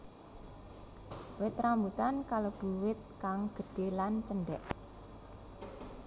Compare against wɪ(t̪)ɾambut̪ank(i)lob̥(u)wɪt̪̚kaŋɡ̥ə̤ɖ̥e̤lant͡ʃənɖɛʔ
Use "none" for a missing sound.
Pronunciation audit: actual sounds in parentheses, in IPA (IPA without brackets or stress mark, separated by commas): t̪, a, u